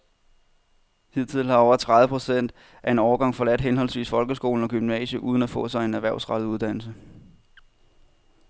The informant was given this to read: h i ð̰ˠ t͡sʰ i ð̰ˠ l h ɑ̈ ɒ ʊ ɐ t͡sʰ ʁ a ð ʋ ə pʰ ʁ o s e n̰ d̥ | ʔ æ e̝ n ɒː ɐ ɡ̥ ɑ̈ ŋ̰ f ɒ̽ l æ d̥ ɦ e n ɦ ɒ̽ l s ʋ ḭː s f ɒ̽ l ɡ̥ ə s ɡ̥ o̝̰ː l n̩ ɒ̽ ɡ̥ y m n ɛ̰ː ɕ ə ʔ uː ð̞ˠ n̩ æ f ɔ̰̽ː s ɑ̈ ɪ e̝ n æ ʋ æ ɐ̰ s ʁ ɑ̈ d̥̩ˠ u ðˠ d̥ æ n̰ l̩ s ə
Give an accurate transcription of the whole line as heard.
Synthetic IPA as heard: h i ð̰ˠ t͡sʰ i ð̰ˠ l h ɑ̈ ɒ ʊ ɐ t͡sʰ ʁ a ð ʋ ə pʰ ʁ o s e n̰ d̥ | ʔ æ e̝ n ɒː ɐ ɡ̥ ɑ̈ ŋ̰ f ɒ̽ l æ d̥ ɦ e n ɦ ɒ̽ l s ʋ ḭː s f ɒ̽ l ɡ̥ ə s ɡ̥ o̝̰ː l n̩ ɒ̽ ɡ̥ y m n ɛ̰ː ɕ ə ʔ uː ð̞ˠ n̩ æ f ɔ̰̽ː s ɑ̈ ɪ e̝ n æ ʋ æ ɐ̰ s ʁ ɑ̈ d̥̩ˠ u ðˠ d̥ æ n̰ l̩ s ə